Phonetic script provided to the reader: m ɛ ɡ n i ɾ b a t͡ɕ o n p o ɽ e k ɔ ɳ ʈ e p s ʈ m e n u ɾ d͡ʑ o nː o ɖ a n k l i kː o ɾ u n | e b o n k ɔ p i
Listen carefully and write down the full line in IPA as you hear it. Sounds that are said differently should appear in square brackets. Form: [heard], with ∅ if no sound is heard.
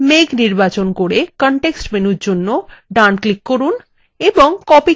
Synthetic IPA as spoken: m [e] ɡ n i ɾ b a t͡ɕ o n [k] o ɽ e k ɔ ɳ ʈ e [k] s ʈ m e n u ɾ d͡ʑ o nː o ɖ a n k l i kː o ɾ u n | e b o [ŋ] k ɔ p i